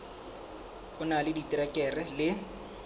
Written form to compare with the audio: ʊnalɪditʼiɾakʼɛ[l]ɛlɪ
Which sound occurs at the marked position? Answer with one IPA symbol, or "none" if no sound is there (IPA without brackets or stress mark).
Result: r